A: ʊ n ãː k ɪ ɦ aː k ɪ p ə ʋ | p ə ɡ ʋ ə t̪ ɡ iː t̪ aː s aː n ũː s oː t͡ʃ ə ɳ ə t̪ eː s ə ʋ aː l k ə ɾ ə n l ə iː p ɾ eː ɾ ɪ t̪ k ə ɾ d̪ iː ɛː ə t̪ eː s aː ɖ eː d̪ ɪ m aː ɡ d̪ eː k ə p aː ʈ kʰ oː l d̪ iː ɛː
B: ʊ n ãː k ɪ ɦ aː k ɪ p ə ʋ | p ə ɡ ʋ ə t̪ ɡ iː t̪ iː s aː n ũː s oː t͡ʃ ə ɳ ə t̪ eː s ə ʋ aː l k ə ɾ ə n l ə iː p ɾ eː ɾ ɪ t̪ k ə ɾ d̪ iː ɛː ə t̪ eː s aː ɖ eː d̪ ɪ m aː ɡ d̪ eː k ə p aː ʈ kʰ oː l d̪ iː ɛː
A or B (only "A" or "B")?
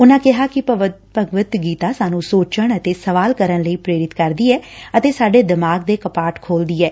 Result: A